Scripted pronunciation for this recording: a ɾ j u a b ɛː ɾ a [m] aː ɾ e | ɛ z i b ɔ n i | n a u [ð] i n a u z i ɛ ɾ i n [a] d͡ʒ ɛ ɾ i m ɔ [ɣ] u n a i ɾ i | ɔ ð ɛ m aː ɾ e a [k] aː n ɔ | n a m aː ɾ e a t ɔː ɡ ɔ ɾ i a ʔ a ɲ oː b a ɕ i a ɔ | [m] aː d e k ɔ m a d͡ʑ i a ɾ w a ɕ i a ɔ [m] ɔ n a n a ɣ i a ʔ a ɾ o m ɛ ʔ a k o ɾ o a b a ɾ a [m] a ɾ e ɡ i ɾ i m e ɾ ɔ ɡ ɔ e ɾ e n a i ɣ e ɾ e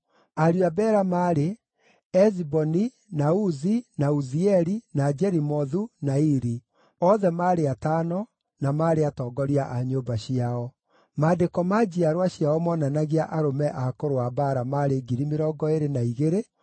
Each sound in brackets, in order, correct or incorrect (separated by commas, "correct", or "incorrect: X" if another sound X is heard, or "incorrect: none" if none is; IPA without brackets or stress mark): correct, incorrect: z, correct, incorrect: ð, incorrect: t, correct, correct, correct